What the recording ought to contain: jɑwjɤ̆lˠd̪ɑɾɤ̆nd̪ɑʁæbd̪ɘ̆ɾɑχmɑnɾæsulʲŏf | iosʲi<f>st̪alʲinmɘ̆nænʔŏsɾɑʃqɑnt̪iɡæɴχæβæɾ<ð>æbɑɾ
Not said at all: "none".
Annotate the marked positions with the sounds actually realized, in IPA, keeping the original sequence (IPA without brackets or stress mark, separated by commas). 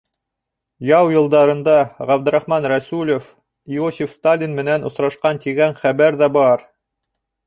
f, ð